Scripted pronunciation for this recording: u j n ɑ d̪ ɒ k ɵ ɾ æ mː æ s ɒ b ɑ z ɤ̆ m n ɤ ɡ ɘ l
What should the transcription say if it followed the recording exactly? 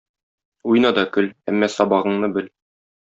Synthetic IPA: u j n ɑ d̪ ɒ k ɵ l æ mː æ s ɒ b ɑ ʁ ɤ̆ ɴ n ɤ b ɘ l